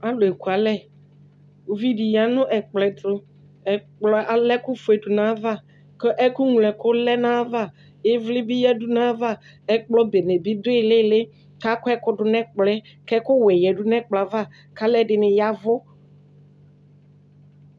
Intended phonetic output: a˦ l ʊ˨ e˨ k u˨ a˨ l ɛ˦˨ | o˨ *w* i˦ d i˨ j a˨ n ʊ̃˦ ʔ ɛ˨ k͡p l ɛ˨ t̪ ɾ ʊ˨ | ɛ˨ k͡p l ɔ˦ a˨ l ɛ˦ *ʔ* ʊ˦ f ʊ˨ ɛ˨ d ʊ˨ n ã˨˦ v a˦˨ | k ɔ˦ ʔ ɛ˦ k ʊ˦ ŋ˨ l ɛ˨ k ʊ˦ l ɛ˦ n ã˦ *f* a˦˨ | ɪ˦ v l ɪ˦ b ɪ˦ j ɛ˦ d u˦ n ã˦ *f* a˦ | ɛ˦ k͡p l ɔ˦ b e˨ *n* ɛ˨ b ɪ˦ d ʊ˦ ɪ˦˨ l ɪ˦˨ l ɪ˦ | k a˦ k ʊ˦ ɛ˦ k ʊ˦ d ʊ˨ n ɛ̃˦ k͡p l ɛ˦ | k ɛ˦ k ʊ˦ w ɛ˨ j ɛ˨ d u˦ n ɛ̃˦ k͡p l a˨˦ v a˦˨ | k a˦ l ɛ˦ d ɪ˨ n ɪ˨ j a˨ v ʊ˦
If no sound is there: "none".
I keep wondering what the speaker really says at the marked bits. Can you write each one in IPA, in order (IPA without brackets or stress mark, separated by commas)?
v, k, v, v, n